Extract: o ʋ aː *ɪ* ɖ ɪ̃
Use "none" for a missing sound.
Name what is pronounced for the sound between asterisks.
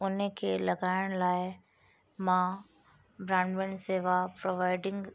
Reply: ɪ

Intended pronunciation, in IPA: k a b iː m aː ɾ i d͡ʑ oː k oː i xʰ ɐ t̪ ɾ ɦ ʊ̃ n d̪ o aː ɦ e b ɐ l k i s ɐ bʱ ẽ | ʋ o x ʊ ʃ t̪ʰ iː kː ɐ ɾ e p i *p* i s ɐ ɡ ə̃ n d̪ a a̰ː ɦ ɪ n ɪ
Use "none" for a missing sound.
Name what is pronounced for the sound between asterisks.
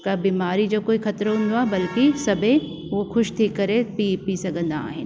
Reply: p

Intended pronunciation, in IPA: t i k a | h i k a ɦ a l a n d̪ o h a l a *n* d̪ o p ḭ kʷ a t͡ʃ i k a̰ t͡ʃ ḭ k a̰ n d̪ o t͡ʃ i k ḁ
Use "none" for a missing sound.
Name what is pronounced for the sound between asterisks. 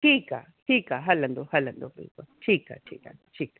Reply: n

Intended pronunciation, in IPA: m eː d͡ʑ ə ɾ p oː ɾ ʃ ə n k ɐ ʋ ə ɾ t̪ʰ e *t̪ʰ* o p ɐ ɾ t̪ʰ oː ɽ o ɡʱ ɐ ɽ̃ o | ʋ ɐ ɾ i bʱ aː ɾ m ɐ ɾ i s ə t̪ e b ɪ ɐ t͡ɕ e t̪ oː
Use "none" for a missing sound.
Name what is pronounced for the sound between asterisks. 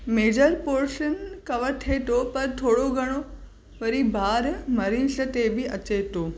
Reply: t̪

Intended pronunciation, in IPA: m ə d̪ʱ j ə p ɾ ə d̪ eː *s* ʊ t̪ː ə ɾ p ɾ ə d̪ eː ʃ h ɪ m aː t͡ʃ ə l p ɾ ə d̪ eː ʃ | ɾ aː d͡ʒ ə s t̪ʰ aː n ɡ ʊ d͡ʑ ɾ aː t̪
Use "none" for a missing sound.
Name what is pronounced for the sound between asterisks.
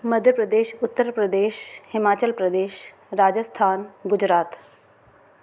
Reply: ʃ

